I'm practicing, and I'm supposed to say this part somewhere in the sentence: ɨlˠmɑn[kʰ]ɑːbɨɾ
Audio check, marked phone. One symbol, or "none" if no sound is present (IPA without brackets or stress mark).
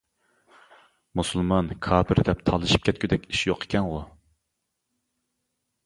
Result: kʰ